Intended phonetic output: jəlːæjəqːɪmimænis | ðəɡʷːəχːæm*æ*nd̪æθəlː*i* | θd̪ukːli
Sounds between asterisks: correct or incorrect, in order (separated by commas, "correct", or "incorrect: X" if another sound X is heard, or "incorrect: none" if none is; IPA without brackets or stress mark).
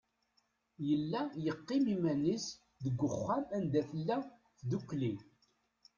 correct, incorrect: æ